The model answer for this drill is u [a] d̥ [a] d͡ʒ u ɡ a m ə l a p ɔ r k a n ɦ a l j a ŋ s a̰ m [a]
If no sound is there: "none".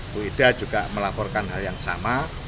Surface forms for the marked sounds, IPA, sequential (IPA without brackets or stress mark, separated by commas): i, a, a